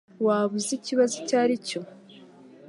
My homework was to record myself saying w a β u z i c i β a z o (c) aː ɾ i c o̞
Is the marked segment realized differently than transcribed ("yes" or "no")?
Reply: no